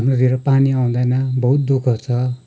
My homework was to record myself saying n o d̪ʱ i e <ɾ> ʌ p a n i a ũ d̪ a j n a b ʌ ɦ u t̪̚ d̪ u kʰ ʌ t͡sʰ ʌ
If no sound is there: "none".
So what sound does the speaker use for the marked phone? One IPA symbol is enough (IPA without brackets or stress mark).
ɾ